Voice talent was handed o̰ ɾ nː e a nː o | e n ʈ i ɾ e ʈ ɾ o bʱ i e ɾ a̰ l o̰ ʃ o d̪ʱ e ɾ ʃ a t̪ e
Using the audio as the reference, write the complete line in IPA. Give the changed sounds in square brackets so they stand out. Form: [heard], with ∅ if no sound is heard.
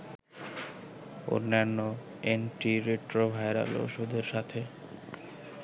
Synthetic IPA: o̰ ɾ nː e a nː o | e n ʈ i ɾ e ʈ ɾ o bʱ [a] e ɾ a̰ l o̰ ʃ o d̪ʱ e ɾ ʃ a [t̪ʰ] e